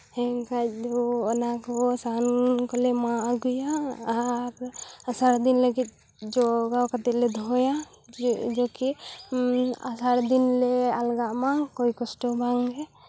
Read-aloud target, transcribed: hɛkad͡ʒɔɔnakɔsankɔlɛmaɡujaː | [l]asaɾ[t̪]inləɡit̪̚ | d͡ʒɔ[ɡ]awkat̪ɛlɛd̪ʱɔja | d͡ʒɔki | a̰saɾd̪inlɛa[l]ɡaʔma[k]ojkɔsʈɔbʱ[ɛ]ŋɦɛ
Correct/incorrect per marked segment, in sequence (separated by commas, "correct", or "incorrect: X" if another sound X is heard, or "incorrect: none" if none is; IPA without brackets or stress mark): incorrect: ɾ, incorrect: d̪, correct, correct, correct, incorrect: a